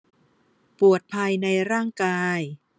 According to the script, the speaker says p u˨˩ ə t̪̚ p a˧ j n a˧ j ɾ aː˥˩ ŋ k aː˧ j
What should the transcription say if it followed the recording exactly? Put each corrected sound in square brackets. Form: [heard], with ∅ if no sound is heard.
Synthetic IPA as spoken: p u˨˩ ə t̪̚ [pʰ] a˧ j n a˧ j ɾ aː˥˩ ŋ k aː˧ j